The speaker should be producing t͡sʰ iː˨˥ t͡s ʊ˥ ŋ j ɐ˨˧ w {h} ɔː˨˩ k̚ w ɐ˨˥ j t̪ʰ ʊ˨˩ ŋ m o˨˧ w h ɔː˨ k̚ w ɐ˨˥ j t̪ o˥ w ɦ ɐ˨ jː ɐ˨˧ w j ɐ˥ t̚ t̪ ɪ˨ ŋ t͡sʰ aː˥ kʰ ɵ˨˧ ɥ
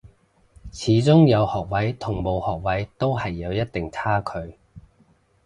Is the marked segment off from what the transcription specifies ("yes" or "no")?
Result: no